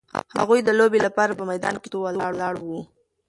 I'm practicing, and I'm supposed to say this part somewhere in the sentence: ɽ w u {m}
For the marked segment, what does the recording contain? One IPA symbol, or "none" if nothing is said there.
none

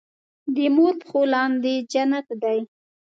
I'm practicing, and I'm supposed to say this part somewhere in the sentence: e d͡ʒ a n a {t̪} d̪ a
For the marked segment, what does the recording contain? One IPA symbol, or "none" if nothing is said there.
t̪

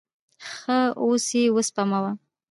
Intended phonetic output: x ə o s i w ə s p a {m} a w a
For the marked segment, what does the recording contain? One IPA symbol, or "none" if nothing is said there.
m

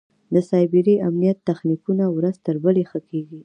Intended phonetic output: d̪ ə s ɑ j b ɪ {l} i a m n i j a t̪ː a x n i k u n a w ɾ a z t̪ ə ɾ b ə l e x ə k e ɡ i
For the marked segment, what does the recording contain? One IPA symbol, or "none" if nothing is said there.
ɾ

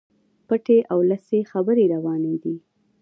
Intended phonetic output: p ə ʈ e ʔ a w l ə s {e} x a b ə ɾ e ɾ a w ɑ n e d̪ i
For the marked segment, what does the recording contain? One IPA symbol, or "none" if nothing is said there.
e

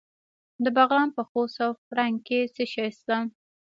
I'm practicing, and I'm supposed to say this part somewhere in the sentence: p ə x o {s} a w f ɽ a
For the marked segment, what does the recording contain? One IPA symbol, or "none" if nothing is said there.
s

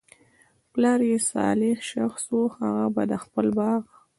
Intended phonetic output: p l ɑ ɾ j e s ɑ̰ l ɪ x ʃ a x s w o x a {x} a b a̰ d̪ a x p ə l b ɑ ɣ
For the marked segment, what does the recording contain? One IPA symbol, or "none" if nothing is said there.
ɣ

